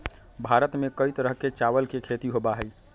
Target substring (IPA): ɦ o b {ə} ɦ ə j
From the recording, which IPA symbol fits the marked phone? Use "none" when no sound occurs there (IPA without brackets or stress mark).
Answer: a